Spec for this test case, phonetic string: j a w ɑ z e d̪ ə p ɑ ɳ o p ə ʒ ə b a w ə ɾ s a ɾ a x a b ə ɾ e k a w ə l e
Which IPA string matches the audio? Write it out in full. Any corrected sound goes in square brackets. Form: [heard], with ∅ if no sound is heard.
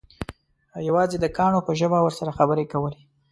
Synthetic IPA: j a w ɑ z e d̪ ə [k] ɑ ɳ o p ə ʒ ə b a w ə ɾ s a ɾ a x a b ə ɾ e k a w ə l e